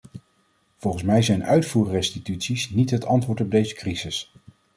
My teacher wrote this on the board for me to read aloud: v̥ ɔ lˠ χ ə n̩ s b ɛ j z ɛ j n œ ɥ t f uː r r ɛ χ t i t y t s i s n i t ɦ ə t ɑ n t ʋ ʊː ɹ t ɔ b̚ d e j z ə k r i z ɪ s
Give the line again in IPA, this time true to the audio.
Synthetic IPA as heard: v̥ ɔ lˠ χ ə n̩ s m ɛ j z ɛ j n œ ɥ t f uː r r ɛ s t i t y t s i s n i t ɦ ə t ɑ n t ʋ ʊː ɹ t ɔ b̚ d e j z ə k r i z ɪ s